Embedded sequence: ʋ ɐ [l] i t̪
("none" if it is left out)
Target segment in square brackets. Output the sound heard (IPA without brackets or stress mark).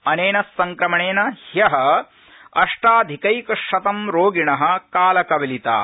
l